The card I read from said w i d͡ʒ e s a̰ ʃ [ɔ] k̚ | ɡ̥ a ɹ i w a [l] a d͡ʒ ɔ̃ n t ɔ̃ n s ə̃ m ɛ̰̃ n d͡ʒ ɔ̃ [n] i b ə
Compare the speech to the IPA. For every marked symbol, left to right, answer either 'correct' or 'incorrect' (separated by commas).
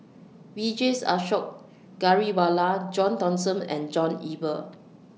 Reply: correct, correct, correct